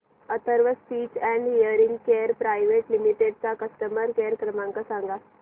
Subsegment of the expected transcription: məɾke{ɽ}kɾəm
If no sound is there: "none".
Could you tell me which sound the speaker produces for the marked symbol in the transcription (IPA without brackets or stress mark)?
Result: ɾ